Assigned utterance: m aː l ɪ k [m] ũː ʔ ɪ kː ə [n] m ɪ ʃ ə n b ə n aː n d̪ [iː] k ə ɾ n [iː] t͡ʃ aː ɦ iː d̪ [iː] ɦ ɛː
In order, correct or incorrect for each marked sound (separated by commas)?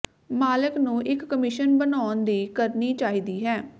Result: incorrect, incorrect, correct, correct, correct